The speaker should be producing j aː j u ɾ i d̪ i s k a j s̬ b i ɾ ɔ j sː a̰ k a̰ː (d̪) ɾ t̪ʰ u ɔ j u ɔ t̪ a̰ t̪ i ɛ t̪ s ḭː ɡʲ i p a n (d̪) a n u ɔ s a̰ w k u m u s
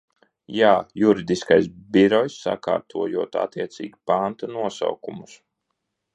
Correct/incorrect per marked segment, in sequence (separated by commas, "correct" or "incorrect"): incorrect, incorrect